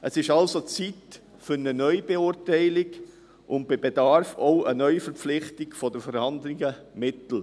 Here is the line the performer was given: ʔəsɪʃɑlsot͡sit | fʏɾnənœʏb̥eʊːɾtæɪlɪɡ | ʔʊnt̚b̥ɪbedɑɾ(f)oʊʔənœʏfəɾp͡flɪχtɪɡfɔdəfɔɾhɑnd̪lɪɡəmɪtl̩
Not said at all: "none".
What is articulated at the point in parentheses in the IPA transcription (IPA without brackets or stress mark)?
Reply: f